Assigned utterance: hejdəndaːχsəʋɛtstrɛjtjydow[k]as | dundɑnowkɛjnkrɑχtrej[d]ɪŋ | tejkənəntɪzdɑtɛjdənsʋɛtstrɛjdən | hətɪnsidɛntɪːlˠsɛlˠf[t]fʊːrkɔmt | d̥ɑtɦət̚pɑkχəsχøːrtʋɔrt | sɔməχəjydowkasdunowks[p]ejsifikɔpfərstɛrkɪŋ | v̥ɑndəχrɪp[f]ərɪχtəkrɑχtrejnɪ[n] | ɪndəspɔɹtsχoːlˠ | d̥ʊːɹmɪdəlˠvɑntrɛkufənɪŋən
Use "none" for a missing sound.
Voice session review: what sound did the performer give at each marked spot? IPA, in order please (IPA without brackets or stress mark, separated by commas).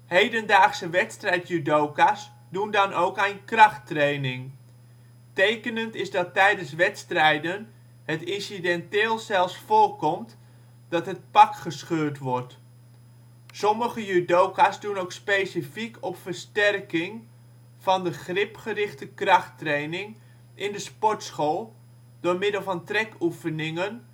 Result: k, n, s, p, χ, ŋ